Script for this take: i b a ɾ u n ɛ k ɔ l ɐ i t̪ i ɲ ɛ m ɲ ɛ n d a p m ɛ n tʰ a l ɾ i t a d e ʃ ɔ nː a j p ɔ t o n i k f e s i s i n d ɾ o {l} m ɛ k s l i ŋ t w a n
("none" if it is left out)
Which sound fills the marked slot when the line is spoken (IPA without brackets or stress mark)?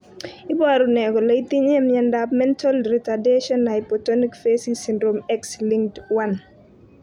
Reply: none